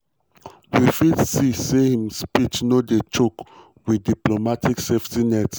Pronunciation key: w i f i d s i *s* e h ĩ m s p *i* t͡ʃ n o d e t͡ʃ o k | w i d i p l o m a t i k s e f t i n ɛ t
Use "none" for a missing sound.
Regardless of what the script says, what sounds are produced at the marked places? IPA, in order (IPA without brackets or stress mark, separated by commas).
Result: s, i